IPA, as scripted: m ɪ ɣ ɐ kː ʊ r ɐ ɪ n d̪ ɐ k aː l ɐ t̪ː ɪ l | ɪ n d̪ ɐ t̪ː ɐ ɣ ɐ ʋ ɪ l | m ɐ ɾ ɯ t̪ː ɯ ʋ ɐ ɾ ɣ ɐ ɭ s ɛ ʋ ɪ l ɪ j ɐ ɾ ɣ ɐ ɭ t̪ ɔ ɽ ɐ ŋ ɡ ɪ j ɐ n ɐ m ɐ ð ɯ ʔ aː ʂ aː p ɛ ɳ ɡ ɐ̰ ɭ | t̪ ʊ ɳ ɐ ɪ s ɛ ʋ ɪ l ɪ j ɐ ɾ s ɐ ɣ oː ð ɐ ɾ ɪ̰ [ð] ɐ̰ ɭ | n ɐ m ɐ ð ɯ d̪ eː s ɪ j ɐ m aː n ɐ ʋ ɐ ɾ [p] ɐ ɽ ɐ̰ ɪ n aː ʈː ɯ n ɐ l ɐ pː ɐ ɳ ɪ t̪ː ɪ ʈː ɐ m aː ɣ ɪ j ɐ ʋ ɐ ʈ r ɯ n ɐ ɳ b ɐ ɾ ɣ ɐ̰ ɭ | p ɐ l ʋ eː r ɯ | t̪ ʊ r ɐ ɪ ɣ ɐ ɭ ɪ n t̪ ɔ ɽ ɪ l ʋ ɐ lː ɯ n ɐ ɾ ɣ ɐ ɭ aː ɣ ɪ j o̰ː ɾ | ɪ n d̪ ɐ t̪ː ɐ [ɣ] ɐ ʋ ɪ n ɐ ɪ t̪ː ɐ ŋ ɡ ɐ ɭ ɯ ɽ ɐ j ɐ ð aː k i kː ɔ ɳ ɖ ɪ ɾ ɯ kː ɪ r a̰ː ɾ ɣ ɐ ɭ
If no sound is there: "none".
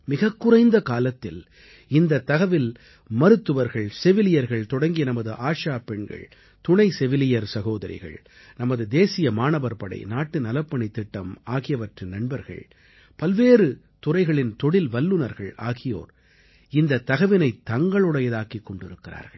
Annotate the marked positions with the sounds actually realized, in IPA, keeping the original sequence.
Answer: ɣ, p, ɣ

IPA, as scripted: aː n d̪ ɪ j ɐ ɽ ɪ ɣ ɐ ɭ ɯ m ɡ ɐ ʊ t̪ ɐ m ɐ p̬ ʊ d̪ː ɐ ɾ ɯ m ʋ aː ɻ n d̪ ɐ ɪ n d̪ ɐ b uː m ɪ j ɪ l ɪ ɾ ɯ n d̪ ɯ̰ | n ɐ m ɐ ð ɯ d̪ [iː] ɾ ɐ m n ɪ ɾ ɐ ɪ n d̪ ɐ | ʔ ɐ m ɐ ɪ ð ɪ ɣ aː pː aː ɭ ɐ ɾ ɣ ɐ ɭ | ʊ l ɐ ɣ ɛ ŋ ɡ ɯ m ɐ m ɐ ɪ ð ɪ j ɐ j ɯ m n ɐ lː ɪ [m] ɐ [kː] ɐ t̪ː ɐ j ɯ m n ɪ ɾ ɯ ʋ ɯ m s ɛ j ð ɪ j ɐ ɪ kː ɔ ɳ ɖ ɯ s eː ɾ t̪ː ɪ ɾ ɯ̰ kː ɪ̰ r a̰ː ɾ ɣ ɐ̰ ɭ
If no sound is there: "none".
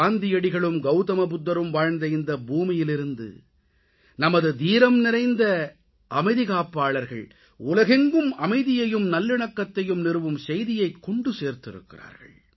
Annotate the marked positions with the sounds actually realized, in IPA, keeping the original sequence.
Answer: iː, ɳ, kː

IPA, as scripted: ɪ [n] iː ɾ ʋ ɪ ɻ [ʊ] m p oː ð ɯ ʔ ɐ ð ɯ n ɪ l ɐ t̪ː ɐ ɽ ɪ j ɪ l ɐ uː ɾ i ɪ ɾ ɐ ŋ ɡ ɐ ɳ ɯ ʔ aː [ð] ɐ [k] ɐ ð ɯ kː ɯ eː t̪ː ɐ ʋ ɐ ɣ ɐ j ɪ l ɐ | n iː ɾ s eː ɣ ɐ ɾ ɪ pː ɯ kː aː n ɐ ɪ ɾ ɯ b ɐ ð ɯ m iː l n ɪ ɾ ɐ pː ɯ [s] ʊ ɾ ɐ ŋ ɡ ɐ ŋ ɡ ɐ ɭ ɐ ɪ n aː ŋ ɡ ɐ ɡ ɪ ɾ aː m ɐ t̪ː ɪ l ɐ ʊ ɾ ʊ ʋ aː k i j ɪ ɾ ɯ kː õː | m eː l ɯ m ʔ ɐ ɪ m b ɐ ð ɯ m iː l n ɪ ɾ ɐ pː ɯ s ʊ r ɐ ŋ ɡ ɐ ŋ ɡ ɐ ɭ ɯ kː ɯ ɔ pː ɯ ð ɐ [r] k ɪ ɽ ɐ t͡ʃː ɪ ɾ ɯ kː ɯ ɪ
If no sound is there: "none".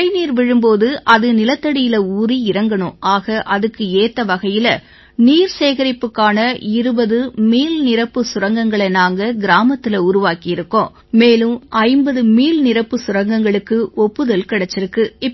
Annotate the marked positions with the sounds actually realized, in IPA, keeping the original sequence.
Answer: n, ɯ, ɣ, ʔ, s, l

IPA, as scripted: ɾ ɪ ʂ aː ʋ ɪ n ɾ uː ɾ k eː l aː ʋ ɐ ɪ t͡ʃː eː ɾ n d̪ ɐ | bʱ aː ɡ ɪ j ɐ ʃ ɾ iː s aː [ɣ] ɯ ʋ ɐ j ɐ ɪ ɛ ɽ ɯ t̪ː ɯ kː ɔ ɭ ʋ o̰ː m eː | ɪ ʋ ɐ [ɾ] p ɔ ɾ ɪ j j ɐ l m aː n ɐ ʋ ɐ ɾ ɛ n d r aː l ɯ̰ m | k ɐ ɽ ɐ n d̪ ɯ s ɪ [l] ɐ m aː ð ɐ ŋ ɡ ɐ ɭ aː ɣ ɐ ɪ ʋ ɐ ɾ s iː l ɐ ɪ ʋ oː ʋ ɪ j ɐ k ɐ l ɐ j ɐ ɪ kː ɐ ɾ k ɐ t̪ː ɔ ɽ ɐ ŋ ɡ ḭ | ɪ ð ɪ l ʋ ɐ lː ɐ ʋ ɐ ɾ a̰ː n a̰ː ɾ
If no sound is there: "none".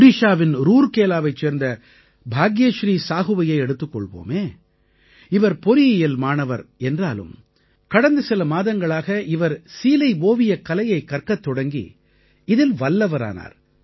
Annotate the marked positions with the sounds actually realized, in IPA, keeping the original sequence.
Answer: ɣ, ɾ, l

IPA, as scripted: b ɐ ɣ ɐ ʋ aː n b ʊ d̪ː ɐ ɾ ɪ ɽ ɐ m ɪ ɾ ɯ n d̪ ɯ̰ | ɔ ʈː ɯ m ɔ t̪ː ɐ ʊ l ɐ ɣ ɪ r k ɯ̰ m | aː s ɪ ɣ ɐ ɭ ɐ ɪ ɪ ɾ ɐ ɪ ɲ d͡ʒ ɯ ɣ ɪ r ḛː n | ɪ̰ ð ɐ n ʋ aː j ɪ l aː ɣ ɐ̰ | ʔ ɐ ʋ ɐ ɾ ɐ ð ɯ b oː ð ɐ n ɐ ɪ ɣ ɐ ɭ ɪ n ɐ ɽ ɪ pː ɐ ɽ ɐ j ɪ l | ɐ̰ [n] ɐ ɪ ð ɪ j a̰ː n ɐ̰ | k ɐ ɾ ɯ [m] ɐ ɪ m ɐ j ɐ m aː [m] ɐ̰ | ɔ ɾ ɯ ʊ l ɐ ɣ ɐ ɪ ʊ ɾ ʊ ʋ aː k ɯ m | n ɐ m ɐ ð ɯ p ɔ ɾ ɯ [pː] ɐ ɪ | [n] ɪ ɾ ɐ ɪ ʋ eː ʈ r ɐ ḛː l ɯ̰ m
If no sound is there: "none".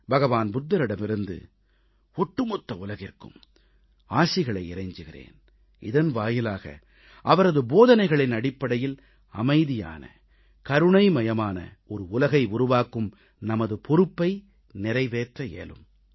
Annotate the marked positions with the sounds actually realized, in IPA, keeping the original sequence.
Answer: m, ɳ, n, pː, n

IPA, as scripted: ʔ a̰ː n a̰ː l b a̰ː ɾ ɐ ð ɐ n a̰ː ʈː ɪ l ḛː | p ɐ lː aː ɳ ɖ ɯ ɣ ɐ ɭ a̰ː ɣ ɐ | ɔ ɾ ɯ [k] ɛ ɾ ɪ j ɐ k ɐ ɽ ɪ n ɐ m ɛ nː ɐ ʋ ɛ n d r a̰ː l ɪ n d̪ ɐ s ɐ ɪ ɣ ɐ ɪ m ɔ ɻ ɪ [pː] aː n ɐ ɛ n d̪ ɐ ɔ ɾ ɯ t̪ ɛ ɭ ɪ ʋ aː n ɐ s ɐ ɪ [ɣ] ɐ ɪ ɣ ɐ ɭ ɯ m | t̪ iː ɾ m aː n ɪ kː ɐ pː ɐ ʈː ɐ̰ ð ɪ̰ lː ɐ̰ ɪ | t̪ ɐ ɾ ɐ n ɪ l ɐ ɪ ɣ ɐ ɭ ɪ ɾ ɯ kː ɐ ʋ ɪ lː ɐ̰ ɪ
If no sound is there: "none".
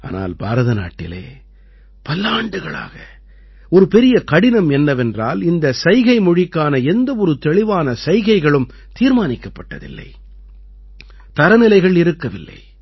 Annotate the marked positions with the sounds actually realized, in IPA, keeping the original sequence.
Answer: p, kː, ɣ

